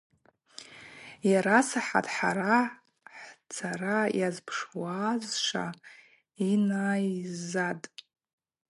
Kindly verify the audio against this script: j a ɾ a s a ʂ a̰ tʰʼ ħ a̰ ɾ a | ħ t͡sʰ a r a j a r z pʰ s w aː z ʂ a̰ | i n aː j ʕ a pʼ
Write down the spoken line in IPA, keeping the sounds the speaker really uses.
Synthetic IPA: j a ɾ a s a ħ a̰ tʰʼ ħ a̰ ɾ a | ħ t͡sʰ a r a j a z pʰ ʂ w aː z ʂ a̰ | i n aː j z a tʼ